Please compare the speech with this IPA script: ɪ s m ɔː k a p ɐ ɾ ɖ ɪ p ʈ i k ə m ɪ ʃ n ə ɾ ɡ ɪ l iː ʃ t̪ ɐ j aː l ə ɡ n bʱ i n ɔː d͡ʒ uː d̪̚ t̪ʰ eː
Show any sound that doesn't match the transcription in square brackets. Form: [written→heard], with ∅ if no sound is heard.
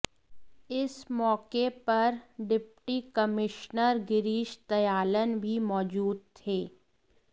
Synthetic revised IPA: ɪ s m ɔː k [a→e] p ɐ ɾ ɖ ɪ p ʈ i k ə m ɪ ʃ n ə ɾ ɡ ɪ [l→ɾ] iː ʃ t̪ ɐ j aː l ə [ɡ→∅] n bʱ i [n→m] ɔː d͡ʒ uː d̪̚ t̪ʰ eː

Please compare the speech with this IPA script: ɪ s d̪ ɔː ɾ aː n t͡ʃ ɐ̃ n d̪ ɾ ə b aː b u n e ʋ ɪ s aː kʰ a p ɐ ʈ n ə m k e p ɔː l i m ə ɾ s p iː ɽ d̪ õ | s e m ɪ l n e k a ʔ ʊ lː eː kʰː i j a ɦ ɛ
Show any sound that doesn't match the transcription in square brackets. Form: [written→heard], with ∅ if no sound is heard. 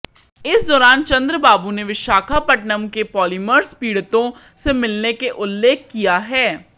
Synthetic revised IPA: ɪ s d̪ ɔː ɾ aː n t͡ʃ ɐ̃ n d̪ ɾ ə b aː b u n e ʋ ɪ [s→ʃ] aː kʰ a p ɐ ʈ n ə m k e p ɔː l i m ə ɾ s p iː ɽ [d̪→t̪] õ | s e m ɪ l n e k [a→e] ʔ ʊ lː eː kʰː i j a ɦ [ɛ→ɛː]

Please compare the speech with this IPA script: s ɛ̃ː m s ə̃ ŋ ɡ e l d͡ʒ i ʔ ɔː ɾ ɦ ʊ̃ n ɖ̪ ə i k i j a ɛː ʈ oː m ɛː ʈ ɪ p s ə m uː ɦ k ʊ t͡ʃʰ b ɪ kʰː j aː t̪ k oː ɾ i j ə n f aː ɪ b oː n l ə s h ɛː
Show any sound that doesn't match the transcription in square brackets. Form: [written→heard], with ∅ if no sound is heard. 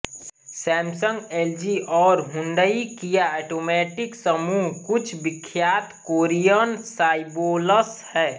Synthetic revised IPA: s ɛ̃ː m s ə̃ ŋ ɡ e l d͡ʒ i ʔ ɔː ɾ ɦ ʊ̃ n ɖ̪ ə i k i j a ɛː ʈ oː m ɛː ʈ ɪ [p→k] s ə m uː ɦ k ʊ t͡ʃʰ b ɪ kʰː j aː t̪ k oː ɾ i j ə n [f→s] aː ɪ b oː [n→∅] l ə s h ɛː

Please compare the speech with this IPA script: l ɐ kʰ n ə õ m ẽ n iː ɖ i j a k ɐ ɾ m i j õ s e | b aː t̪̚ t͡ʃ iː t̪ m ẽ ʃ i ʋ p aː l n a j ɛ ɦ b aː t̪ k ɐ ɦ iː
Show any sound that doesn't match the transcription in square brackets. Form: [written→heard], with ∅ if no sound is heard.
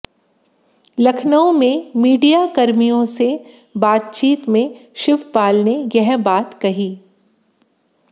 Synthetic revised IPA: l ɐ kʰ n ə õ m ẽ [n→m] iː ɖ i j a k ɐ ɾ m i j õ s e | b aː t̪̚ t͡ʃ iː t̪ m ẽ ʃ [i→ɪ] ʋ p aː l n [a→e] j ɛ ɦ b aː t̪ k ɐ ɦ iː

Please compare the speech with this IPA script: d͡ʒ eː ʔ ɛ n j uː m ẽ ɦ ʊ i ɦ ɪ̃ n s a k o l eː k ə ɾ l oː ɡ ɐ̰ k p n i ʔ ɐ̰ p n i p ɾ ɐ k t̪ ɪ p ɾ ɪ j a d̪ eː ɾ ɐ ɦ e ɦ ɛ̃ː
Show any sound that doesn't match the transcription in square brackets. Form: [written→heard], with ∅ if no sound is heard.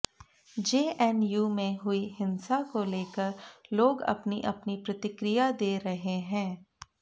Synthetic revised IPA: d͡ʒ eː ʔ ɛ n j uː m ẽ ɦ ʊ i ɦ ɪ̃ n s a k o l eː k ə ɾ l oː ɡ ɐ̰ [k→∅] p n i ʔ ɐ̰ p n i p ɾ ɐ [k→∅] t̪ ɪ [p→k] ɾ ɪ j a d̪ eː ɾ ɐ ɦ e ɦ ɛ̃ː

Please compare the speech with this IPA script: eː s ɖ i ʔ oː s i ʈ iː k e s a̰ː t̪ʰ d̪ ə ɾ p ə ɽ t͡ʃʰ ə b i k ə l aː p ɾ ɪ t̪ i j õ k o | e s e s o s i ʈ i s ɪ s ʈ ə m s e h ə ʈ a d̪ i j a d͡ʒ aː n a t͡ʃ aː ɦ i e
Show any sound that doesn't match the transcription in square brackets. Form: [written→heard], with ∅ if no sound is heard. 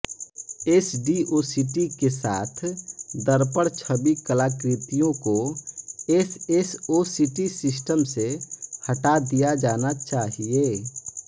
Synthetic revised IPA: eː s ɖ i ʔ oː s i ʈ [iː→i] k e s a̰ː t̪ʰ d̪ ə ɾ p ə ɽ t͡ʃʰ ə b i k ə l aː [p→k] ɾ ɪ t̪ i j õ k o | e s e s o s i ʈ i s ɪ s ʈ ə m s e h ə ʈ a d̪ i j a d͡ʒ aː n a t͡ʃ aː ɦ i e

